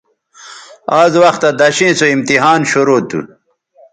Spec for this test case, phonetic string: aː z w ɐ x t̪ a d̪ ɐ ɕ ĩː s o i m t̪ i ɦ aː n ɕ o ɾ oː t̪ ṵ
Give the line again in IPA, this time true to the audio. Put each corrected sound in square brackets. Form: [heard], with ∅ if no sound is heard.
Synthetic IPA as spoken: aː z w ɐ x t̪ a d̪ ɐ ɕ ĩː s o i m t̪ i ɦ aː n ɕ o ɾ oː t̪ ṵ